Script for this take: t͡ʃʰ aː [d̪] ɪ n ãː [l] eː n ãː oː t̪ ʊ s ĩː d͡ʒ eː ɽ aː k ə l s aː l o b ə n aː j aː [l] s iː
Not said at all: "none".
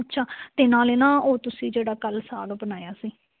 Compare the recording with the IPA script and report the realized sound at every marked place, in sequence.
t̪, l, none

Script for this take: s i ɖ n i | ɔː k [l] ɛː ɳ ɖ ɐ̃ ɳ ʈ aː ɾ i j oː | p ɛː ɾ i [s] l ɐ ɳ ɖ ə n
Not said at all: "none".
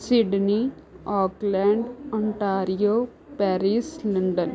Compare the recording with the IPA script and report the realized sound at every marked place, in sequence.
l, s

